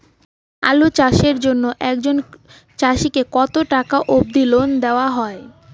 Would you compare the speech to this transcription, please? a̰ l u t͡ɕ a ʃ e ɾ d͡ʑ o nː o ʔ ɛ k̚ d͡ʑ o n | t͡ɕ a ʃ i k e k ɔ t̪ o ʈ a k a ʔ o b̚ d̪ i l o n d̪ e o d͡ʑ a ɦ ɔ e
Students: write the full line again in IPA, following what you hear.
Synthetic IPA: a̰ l u t͡ɕ a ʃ e ɾ d͡ʑ o nː o ʔ ɛ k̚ d͡ʑ o n | t͡ɕ a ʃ i k e k ɔ t̪ o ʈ a k a ʔ o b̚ d̪ i l o n d̪ e o a ɦ ɔ e